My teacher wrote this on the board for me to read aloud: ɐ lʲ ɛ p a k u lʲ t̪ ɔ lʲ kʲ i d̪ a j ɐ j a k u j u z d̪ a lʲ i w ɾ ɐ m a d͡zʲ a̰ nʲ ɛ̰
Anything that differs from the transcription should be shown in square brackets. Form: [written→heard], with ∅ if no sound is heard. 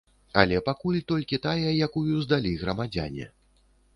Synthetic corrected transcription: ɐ lʲ ɛ p a k u lʲ t̪ ɔ lʲ kʲ i [d̪→t̪] a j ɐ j a k u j u z d̪ a lʲ i [w→ɣ] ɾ ɐ m a d͡zʲ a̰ nʲ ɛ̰